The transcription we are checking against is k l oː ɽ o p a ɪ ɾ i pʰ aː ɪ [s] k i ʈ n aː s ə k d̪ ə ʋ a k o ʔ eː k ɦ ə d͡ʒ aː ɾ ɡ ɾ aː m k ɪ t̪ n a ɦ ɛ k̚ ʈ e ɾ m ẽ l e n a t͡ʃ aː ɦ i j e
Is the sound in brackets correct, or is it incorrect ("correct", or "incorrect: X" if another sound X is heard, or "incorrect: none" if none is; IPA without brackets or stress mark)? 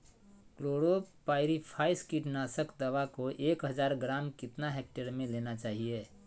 correct